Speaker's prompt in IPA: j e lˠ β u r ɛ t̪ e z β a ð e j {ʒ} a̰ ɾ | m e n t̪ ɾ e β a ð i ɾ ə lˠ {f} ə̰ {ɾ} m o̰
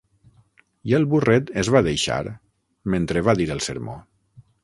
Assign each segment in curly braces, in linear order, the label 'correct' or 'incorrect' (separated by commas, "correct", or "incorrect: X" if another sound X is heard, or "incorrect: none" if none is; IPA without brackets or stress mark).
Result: incorrect: ʃ, incorrect: s, correct